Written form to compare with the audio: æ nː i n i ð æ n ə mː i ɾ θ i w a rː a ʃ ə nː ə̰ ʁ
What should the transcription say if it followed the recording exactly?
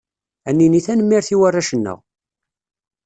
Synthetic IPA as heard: æ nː i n i θ æ n ə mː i ɾ θ i w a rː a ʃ ə nː ə̰ ʁ